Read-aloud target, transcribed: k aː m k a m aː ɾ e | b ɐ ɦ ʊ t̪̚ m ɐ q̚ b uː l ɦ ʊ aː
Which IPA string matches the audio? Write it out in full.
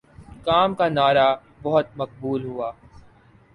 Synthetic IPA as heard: k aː m k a n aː ɾ a | b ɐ ɦ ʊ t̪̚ m ɐ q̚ b uː l ɦ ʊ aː